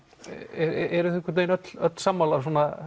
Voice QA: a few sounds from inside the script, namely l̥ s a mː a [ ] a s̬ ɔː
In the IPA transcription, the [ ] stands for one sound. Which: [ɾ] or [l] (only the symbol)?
l